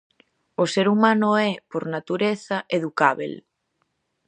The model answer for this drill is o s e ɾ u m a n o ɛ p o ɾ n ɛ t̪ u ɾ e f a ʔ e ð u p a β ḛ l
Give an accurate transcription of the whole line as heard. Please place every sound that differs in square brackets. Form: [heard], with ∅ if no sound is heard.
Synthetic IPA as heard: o s e ɾ u m a n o ɛ p o ɾ n [a] t̪ u ɾ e [θ] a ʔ e ð u [k] a β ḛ l